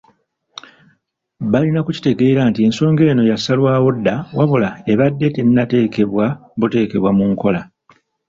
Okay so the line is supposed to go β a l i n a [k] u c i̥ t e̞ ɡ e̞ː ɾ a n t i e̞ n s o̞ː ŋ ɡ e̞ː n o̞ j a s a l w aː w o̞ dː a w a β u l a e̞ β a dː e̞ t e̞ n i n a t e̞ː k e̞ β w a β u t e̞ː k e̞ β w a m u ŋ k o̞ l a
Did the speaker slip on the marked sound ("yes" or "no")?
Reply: no